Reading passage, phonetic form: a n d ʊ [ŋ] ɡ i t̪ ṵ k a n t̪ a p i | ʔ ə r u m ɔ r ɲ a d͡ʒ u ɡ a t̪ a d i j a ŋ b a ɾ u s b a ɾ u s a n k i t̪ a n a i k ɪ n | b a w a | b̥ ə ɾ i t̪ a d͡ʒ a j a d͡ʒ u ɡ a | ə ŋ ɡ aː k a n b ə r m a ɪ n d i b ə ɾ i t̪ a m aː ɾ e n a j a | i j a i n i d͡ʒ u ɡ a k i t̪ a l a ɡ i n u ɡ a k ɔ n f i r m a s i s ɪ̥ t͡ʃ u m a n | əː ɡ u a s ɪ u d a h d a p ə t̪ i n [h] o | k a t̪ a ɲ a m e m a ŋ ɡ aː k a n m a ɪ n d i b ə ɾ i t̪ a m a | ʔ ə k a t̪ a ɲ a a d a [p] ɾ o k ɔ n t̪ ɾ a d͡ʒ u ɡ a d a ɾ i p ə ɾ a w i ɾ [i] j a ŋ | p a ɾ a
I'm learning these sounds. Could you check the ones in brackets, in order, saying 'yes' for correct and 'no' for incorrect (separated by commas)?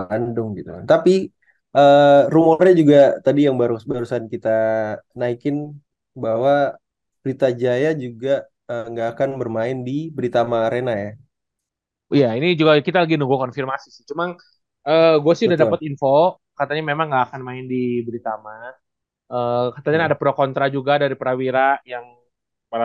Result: yes, no, yes, no